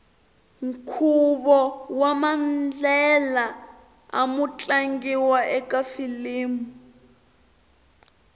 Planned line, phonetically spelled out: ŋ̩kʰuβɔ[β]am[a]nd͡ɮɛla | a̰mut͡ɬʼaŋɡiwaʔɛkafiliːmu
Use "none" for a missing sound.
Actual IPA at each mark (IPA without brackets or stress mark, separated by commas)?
w, a